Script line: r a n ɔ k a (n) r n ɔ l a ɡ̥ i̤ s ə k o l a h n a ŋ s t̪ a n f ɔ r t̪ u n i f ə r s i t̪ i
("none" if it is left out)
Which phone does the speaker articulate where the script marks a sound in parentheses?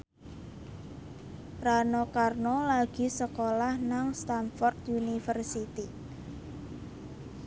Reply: none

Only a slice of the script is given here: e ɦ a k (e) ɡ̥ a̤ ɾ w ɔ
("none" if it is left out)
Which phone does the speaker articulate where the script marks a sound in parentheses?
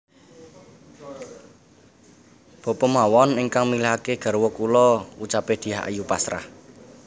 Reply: e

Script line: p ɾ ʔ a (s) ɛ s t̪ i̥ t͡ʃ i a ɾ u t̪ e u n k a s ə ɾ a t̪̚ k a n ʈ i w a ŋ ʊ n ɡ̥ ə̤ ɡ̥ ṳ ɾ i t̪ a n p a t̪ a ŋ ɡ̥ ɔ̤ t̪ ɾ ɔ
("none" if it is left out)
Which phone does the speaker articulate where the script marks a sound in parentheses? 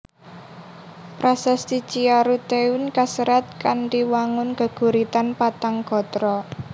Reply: s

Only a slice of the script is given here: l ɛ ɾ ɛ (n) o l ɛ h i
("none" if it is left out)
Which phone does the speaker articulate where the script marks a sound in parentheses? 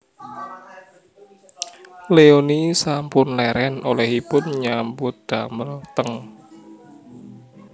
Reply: n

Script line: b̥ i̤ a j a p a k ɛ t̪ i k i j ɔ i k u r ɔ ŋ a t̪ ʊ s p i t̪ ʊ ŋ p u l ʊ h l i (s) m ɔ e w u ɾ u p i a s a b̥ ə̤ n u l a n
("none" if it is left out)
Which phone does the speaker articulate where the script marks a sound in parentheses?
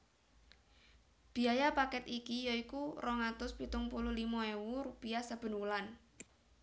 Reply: none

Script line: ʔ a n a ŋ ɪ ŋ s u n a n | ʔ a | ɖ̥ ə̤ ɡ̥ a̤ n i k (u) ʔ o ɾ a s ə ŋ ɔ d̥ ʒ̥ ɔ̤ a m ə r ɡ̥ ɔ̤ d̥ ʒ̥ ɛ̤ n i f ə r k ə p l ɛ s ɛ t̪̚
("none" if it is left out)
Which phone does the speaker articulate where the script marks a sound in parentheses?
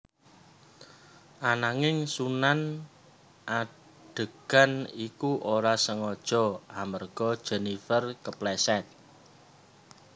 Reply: u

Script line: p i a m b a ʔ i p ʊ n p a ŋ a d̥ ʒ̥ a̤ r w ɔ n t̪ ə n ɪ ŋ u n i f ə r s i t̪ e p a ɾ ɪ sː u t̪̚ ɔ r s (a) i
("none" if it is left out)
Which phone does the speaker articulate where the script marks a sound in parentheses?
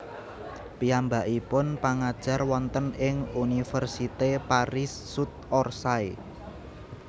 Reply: a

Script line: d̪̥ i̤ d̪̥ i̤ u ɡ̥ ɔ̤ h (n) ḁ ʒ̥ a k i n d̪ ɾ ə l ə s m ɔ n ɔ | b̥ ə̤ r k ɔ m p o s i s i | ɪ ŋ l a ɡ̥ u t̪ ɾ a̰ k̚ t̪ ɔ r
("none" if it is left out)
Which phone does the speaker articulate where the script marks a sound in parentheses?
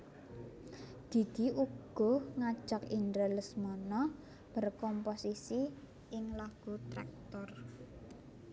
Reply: ŋ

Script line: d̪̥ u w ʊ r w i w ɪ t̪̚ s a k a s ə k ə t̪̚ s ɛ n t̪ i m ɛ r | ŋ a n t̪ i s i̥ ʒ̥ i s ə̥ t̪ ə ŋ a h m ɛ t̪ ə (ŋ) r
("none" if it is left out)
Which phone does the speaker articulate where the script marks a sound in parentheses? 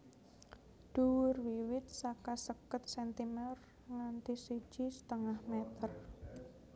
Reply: none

